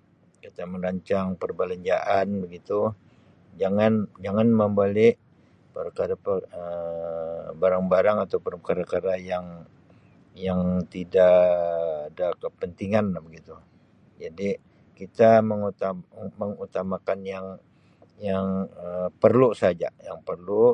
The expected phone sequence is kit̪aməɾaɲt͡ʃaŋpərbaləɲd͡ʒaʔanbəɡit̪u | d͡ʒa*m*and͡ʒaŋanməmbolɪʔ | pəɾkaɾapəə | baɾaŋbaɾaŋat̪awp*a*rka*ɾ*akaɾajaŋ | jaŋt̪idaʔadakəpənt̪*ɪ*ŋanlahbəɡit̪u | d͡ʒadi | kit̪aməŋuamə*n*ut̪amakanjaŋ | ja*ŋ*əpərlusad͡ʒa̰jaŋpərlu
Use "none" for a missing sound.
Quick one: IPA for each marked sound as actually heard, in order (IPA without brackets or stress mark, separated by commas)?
ŋ, ə, ɾ, i, ŋ, ŋ